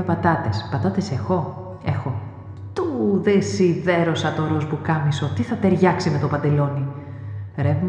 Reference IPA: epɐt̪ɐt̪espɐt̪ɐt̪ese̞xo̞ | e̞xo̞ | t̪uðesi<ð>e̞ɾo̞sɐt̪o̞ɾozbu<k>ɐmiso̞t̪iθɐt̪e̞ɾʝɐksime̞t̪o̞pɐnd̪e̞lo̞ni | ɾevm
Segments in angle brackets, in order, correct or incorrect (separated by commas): correct, correct